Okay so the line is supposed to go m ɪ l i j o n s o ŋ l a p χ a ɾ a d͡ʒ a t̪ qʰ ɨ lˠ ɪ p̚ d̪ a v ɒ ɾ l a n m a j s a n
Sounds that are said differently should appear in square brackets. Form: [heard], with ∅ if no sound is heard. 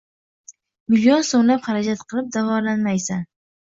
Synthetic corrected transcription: m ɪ l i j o n s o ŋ l a p χ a ɾ a d͡ʒ a t̪ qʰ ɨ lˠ ɪ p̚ d̪ a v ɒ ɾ l a n m a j s a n